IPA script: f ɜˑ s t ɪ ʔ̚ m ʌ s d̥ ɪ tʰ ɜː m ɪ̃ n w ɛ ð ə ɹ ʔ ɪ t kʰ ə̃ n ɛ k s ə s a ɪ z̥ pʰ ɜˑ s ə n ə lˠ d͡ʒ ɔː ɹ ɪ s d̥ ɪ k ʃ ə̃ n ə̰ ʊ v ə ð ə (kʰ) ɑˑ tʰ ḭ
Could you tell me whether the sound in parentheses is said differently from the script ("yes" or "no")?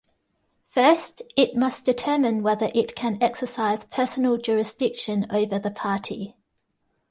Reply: yes